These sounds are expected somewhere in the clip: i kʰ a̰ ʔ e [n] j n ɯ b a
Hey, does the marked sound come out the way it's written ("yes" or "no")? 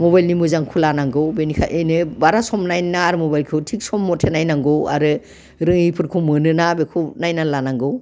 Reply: no